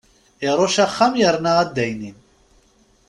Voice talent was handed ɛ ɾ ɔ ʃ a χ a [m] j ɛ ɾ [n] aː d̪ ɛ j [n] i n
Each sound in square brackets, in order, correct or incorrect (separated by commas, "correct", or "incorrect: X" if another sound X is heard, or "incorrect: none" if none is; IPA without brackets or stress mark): correct, correct, correct